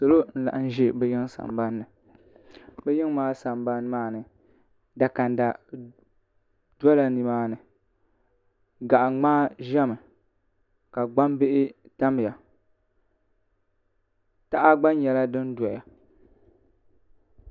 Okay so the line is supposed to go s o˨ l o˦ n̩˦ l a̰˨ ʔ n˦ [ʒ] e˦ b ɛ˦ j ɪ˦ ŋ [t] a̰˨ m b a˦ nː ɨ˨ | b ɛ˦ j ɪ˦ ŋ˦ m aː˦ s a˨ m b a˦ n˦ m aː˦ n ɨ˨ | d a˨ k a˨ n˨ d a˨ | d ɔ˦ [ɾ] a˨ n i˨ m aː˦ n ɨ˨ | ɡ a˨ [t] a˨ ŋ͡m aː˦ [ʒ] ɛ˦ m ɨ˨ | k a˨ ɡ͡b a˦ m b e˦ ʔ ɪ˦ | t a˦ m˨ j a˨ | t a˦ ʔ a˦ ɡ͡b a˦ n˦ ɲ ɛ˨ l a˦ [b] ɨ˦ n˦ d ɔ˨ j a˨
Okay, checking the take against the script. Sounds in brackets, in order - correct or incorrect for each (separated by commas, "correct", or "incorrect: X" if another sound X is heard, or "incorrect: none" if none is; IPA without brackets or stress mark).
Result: correct, incorrect: s, incorrect: l, incorrect: ʔ, correct, incorrect: d